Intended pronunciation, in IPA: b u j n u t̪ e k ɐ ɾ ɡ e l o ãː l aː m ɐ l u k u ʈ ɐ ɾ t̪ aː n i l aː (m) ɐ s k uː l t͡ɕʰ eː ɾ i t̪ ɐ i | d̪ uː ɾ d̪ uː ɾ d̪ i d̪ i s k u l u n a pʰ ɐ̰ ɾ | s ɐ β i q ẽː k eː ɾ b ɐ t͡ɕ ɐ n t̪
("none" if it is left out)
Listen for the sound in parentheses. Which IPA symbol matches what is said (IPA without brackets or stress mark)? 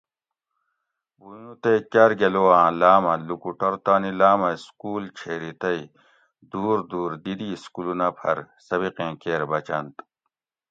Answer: m